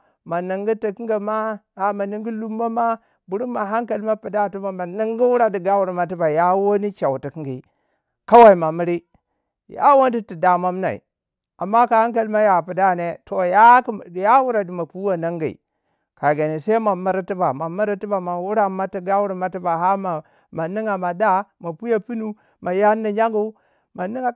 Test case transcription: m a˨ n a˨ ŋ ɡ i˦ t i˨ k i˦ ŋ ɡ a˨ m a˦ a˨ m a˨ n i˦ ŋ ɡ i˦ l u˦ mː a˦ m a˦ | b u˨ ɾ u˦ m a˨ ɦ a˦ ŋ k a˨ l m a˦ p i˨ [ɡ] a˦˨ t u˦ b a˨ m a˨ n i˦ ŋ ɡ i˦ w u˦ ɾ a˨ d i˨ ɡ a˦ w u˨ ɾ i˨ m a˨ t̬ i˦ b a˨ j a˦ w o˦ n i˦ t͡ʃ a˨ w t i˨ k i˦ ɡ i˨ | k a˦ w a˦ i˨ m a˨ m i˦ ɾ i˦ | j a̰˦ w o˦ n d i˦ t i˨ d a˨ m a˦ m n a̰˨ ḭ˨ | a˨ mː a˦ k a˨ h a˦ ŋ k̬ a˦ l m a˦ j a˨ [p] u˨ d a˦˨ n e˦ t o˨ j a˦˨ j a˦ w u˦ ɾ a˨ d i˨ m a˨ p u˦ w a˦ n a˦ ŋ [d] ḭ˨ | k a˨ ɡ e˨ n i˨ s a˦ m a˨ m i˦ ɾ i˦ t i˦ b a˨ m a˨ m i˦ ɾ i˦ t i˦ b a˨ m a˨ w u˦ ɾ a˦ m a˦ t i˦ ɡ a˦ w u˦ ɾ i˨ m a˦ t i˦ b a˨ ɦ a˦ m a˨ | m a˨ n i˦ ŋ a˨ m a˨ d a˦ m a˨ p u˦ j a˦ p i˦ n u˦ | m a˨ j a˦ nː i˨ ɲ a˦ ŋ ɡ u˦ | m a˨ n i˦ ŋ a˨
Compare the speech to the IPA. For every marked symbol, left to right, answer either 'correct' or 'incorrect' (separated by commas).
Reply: incorrect, correct, incorrect